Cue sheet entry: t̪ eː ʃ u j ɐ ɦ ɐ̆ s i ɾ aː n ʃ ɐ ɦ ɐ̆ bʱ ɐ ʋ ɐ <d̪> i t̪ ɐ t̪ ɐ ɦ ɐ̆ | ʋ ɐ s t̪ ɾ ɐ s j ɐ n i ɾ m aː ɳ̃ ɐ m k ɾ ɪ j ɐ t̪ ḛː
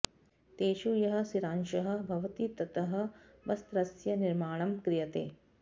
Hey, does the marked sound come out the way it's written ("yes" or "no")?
no